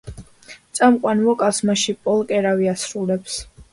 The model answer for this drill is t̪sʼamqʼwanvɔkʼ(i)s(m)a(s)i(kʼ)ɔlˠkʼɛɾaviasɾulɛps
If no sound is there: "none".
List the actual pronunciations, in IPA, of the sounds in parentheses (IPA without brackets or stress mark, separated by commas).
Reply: a, m, ʃ, pʼ